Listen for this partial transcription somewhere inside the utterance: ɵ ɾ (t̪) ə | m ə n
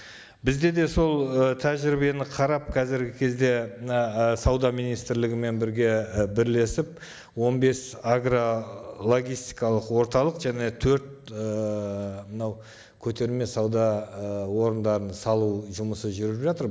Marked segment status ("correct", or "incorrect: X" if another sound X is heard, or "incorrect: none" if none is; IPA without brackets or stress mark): correct